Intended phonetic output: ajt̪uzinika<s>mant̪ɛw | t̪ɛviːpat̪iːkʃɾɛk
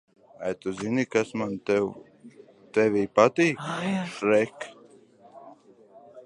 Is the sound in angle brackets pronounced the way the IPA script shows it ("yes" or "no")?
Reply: yes